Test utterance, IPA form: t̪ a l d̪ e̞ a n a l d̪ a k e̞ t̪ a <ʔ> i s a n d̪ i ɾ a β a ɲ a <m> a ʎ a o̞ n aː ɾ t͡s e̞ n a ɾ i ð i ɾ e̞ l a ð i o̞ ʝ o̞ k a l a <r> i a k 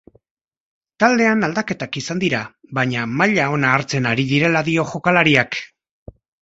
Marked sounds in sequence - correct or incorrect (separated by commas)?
incorrect, correct, incorrect